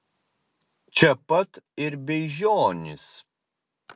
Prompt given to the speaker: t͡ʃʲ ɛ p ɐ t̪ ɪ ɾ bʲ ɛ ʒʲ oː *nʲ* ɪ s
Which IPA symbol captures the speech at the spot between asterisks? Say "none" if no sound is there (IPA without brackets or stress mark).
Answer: nʲ